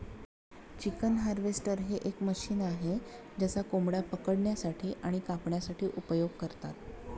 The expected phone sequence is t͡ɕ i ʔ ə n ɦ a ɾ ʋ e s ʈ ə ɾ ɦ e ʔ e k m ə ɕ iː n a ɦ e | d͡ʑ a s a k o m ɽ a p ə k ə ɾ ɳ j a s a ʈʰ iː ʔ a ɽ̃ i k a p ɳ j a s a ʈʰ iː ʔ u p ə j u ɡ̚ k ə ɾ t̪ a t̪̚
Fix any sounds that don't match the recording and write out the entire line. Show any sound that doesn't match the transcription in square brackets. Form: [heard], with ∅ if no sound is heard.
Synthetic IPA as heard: t͡ɕ i [k] ə n ɦ a ɾ ʋ e s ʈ ə ɾ ɦ e ʔ e k m ə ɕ iː n a ɦ e | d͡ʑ a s a k o m ɽ a p ə k ə [ɽ] ɳ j a s a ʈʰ iː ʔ a ɽ̃ i k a p ɳ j a s a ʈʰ iː ʔ u p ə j [o] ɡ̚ k ə ɾ t̪ a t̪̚

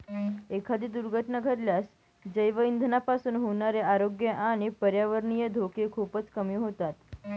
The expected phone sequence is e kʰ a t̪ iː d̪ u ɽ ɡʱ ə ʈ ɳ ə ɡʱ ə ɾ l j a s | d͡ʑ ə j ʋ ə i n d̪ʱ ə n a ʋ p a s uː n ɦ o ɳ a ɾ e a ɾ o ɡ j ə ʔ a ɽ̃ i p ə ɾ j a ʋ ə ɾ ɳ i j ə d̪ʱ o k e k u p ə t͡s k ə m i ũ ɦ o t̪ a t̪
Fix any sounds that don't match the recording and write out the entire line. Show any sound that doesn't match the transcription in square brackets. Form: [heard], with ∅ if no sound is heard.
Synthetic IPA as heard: e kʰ a [d̪] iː d̪ u [ɾ] ɡʱ ə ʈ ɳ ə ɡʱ ə ɾ l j a s | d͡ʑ ə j ʋ ə i n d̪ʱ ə n a [∅] p a s uː n ɦ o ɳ a ɾ e a ɾ o ɡ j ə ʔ a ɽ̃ i p ə ɾ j a ʋ ə ɾ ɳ i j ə d̪ʱ o k e [kʰ] u p ə t͡s k ə m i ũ ɦ o t̪ a t̪

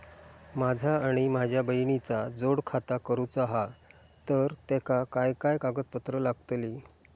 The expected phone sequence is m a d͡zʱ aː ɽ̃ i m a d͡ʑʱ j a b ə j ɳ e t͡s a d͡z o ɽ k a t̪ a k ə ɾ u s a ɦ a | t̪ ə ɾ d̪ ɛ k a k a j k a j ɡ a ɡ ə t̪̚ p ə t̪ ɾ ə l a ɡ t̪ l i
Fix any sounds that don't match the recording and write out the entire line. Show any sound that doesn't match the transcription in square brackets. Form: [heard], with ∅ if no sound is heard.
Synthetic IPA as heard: m a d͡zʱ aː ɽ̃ i m a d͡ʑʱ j a b ə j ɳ [i] t͡s a d͡z o ɽ [kʰ] a t̪ a k ə ɾ u [t͡s] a ɦ a | t̪ ə ɾ [t̪] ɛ k a k a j k a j [k] a ɡ ə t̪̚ p ə t̪ ɾ ə l a ɡ t̪ l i

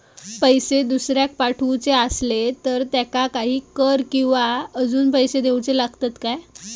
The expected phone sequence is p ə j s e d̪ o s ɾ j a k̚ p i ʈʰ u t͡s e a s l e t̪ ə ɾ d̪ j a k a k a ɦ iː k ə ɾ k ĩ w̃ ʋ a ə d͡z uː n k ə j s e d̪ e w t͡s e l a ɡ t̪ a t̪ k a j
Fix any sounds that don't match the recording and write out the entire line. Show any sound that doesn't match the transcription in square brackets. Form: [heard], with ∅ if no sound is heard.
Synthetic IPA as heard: p ə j s e d̪ [u] s ɾ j a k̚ p [a] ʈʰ u t͡s e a s l e t̪ ə ɾ [t̪] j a k a k a ɦ iː k ə ɾ k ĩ w̃ ʋ a ə d͡z uː n [p] ə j s e d̪ e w t͡s e l a ɡ t̪ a t̪ k a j

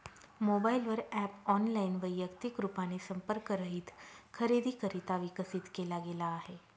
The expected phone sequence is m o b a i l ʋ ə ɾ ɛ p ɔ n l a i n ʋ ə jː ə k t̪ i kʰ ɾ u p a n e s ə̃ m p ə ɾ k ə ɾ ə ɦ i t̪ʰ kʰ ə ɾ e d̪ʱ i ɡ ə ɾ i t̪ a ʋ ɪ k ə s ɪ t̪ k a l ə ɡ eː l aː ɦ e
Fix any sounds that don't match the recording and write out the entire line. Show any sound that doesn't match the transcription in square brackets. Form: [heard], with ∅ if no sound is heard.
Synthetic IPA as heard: m o b a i l ʋ ə ɾ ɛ p ɔ n l a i n ʋ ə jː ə k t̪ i [k] ɾ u p a n e s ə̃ m p ə ɾ k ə ɾ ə ɦ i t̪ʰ kʰ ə ɾ e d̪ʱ i [k] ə ɾ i t̪ a ʋ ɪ k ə s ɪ t̪ k [e] l [a] ɡ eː l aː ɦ e

